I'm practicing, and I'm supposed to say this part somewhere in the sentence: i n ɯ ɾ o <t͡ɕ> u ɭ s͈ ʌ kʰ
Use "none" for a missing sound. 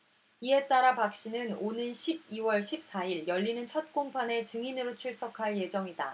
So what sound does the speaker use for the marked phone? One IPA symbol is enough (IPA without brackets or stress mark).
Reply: t͡ɕʰ